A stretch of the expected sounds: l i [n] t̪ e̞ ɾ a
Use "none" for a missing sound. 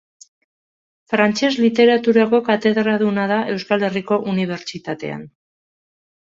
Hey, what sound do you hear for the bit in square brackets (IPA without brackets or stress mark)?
none